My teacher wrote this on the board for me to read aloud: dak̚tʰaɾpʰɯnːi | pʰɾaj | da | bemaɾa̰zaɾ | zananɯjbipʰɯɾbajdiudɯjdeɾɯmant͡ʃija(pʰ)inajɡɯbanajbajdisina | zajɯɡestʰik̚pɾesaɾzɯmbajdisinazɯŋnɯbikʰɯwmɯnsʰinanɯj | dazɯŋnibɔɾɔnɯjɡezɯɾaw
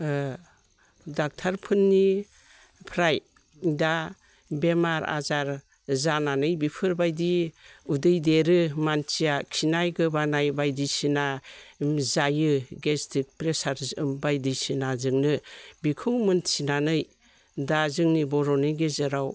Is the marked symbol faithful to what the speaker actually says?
no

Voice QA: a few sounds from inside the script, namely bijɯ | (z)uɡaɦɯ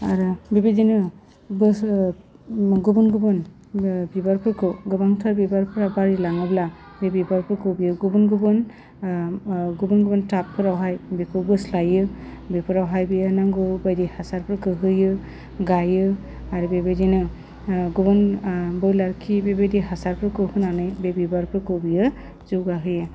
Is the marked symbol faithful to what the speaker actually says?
yes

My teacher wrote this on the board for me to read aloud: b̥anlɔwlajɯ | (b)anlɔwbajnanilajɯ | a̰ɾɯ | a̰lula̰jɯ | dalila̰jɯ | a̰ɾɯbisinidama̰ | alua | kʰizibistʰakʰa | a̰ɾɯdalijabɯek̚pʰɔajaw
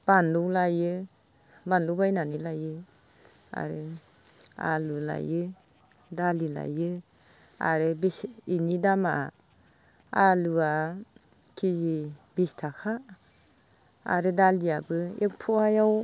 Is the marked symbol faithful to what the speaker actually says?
yes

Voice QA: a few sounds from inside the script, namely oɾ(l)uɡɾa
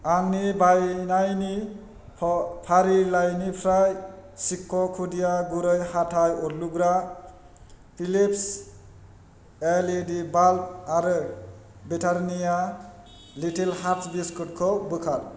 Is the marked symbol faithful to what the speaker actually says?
yes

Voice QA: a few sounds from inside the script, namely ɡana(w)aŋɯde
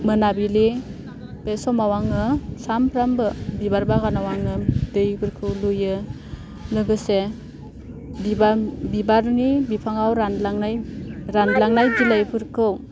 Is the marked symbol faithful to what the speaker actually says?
yes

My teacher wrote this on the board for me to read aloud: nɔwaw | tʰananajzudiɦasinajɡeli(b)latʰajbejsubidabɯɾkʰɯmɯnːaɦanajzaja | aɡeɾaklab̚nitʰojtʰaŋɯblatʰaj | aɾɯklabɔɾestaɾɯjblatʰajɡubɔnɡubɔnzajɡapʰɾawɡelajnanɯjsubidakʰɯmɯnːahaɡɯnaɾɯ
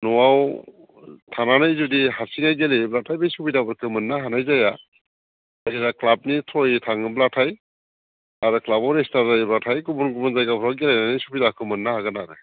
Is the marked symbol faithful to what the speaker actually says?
yes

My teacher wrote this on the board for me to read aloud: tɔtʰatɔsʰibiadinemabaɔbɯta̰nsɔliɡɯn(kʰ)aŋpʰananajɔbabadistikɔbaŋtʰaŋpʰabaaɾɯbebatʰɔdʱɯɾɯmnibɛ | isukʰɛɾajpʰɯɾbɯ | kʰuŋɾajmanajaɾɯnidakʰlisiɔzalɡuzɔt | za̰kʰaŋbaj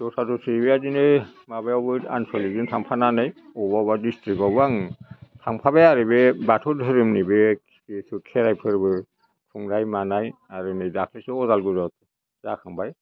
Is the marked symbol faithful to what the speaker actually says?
no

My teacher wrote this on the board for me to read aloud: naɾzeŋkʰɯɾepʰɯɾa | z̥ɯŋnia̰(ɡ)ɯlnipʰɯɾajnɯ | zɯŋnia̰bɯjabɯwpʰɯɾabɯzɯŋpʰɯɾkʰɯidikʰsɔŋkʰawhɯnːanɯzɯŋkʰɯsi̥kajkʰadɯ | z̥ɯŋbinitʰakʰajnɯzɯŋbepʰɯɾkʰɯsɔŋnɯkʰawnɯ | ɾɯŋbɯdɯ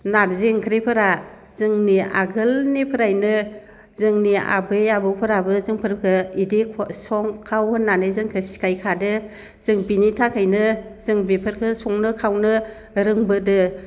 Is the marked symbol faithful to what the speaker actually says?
yes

